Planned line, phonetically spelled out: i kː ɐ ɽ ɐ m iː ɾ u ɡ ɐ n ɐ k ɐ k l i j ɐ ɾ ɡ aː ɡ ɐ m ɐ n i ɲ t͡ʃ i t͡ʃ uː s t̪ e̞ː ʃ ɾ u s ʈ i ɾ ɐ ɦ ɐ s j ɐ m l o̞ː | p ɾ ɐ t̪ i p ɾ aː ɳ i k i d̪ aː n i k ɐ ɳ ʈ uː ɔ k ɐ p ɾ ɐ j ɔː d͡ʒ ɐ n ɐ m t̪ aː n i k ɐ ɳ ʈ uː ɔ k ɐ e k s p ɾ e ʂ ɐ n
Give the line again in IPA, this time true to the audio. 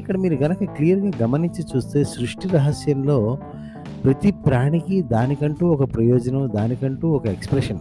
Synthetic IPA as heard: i kː ɐ ɽ ɐ m iː ɾ u ɡ ɐ n ɐ k ɐ k l i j ɐ ɾ ɡ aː ɡ ɐ m ɐ n i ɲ t͡ʃ i t͡ʃ uː s t̪ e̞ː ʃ ɾ u ʂ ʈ i ɾ ɐ ɦ ɐ s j ɐ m l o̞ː | p ɾ ɐ t̪ i p ɾ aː ɳ i k i d̪ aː n i k ɐ ɳ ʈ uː ɔ k ɐ p ɾ ɐ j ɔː d͡ʒ ɐ n ɐ m d̪ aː n i k ɐ ɳ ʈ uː ɔ k ɐ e k s p ɾ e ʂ ɐ n